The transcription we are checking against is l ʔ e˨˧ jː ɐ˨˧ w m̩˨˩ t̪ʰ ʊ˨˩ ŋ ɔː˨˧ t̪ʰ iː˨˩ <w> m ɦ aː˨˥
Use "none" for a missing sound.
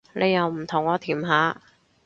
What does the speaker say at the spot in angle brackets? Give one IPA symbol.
none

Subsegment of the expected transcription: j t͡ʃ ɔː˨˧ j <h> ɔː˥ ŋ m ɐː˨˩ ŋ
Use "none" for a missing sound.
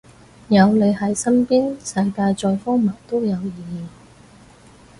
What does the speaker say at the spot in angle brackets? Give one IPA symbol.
f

